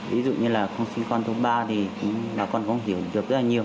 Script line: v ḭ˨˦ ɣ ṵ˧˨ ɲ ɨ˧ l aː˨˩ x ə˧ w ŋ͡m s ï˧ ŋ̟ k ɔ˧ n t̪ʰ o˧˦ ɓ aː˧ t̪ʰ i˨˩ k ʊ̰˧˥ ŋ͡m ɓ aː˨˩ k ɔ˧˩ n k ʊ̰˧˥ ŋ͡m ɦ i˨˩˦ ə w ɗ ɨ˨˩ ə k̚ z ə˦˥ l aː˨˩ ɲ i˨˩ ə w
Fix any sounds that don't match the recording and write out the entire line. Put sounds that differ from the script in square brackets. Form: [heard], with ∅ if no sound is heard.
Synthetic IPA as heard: v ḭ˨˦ [z] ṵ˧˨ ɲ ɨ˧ l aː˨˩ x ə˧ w ŋ͡m s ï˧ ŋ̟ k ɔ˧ n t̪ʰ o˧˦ ɓ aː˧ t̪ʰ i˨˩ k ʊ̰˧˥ ŋ͡m ɓ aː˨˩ k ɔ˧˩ n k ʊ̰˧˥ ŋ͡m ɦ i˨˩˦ ə w ɗ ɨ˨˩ ə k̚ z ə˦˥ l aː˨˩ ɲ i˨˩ ə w